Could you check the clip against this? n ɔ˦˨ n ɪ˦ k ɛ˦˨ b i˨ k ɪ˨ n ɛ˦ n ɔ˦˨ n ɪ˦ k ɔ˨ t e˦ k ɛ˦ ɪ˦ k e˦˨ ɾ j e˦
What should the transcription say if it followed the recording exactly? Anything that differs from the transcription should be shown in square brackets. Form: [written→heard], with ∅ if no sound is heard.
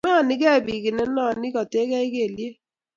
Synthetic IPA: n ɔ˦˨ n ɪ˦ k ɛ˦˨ b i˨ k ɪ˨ n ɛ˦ n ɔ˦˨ n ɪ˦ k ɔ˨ t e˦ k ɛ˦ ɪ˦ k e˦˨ [ɾ→l] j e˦